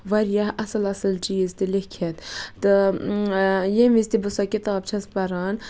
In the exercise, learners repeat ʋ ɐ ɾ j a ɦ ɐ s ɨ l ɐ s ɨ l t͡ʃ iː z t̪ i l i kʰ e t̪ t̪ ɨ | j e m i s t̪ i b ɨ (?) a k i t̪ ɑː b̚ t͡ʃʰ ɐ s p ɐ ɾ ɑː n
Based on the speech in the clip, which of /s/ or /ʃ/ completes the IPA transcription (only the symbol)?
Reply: s